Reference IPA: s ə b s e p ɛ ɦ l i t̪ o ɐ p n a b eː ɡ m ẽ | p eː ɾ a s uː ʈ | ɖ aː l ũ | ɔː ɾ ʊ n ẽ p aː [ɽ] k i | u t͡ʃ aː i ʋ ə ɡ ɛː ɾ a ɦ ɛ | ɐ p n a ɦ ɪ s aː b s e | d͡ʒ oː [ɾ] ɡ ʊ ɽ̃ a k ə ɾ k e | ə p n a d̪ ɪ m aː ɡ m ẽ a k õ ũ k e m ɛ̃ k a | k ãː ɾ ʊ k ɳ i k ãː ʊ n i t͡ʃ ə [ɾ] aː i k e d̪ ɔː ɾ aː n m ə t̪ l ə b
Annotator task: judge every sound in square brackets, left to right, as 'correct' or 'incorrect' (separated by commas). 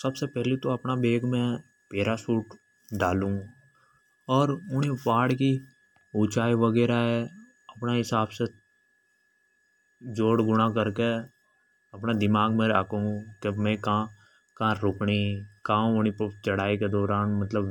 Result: correct, incorrect, incorrect